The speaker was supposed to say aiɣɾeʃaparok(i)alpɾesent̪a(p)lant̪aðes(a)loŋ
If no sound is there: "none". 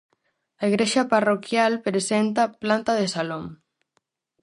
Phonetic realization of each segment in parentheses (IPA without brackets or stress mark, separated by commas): j, p, a